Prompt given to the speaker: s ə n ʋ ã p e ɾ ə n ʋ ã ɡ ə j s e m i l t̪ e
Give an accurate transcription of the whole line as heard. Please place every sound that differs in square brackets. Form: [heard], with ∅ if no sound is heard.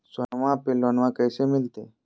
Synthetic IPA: s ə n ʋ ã p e [l] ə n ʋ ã [k] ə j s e m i l t̪ e